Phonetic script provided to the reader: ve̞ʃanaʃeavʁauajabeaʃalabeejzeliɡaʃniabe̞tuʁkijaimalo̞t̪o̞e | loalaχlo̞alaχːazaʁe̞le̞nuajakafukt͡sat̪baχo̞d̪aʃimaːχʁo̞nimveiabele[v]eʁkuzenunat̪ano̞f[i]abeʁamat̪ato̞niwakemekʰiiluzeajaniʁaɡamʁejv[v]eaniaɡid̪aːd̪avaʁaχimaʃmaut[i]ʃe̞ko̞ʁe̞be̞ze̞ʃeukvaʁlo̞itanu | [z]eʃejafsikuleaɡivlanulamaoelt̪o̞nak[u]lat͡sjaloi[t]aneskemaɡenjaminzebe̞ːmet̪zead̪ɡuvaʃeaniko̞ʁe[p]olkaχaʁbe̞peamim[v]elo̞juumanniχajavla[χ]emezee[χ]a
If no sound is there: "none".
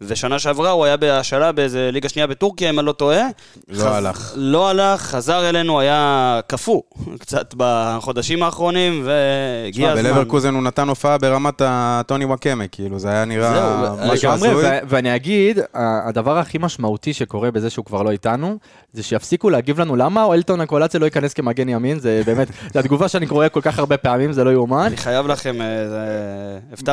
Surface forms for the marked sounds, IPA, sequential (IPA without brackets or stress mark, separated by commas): v, a, v, i, z, o, k, k, z, χ, f